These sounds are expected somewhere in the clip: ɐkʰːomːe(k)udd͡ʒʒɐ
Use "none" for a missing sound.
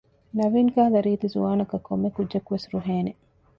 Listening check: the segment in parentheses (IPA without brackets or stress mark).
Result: k